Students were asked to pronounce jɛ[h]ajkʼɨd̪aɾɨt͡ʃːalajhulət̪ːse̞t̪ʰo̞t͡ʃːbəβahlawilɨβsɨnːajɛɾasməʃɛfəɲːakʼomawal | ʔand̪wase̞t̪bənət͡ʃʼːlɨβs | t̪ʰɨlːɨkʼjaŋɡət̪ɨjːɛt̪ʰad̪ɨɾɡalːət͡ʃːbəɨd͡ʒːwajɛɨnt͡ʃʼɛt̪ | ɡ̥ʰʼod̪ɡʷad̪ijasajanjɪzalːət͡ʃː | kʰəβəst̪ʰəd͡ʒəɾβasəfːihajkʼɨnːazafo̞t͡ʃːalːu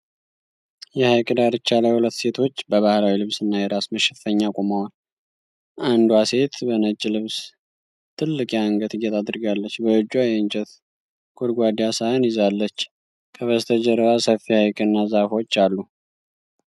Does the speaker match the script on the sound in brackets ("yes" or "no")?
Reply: yes